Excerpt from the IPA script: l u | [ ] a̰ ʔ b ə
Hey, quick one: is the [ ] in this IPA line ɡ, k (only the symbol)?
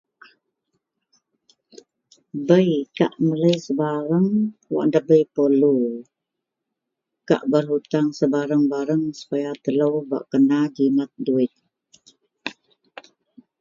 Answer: k